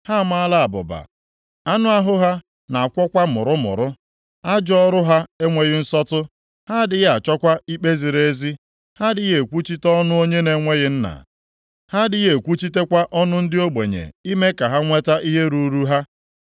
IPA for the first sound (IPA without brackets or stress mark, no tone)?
h